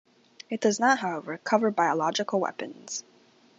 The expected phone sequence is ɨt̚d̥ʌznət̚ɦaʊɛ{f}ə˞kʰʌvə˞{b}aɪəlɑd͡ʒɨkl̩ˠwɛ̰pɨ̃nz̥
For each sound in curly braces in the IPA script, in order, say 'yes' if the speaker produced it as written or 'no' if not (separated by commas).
no, yes